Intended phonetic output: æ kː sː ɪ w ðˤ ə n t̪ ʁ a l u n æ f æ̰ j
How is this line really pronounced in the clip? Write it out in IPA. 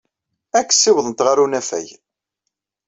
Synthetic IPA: æ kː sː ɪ w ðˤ ə n t̪ ʁ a ɾ u n æ f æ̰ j